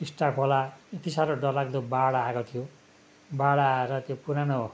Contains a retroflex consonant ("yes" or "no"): yes